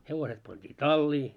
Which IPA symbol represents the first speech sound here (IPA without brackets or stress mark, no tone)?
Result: h